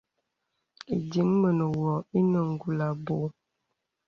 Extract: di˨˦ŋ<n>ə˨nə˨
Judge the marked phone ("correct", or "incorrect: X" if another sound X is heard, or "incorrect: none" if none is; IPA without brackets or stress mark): incorrect: m